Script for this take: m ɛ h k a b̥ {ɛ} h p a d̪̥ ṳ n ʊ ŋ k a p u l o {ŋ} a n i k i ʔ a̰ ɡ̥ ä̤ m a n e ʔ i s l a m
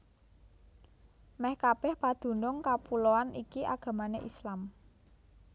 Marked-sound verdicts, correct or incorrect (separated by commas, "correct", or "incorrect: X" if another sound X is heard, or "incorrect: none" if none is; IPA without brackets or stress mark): correct, incorrect: none